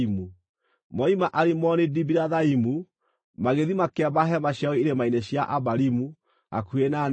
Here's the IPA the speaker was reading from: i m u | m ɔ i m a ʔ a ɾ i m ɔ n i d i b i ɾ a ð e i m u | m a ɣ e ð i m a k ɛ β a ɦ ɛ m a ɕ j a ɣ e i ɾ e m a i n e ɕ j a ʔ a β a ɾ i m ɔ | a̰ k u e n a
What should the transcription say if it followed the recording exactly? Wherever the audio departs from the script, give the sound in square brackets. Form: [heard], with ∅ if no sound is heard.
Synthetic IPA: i m u | m ɔ i m a ʔ a ɾ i m ɔ n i d i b i ɾ a ð [a] i m u | m a ɣ e ð i m a k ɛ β a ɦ ɛ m a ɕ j a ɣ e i ɾ e m a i n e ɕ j a ʔ a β a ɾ i m [u] | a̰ k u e n a